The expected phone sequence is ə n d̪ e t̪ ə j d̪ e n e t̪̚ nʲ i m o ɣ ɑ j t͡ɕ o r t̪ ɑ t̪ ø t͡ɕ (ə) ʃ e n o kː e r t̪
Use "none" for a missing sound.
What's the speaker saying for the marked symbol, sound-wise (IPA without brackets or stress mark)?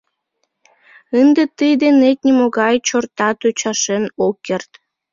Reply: ɑ